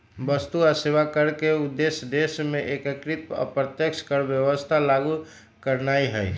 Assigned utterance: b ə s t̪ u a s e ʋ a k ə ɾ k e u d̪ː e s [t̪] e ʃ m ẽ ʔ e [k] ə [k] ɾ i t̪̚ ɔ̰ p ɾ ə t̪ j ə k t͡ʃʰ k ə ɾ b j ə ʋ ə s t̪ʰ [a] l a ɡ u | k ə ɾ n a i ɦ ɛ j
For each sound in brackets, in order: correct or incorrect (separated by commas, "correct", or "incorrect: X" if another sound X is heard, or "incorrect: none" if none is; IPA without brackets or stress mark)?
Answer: incorrect: d̪, correct, correct, correct